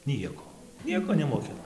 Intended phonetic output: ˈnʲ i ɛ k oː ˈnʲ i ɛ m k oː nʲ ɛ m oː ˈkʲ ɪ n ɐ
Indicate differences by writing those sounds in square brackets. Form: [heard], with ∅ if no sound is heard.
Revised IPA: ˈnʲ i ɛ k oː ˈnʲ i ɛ [∅] k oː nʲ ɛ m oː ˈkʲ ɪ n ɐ